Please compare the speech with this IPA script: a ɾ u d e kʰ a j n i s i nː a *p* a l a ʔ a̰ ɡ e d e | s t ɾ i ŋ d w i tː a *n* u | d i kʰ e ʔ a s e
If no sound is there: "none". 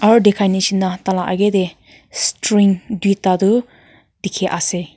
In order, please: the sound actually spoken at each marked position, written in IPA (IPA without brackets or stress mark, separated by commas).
t, d